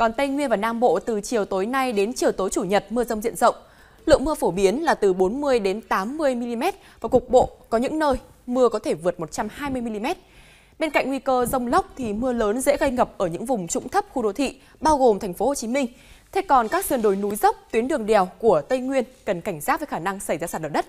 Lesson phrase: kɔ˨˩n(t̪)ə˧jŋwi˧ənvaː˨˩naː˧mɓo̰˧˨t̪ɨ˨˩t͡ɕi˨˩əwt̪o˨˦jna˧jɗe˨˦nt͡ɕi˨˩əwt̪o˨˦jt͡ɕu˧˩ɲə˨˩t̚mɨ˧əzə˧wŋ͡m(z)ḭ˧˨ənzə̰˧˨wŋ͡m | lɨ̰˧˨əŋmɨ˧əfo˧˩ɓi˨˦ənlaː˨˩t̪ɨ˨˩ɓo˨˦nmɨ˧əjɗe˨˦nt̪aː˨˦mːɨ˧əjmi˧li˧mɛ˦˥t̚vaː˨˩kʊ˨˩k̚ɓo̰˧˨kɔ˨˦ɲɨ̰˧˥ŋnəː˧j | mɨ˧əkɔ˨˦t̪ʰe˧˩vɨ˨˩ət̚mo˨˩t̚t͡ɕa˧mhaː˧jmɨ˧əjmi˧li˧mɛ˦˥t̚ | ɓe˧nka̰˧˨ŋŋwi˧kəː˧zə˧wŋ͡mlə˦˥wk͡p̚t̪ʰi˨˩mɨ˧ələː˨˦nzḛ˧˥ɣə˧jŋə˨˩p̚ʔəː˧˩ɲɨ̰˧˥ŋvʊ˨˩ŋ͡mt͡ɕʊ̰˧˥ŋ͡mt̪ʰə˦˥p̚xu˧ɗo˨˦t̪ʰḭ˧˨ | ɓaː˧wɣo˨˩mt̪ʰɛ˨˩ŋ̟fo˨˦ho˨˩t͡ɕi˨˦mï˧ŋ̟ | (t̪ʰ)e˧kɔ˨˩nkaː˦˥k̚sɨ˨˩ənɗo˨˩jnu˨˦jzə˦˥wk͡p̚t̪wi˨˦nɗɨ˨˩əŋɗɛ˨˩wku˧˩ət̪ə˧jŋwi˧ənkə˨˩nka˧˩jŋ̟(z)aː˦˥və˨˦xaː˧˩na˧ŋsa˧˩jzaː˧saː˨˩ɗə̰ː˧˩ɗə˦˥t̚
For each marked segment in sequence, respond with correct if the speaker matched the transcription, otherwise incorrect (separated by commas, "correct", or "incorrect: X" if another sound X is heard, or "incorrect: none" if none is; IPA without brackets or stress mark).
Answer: correct, correct, correct, correct